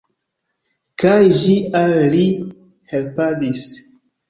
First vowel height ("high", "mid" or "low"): low